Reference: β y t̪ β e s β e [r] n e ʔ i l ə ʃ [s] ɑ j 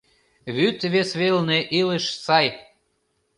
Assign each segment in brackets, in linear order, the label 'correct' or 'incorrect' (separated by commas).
incorrect, correct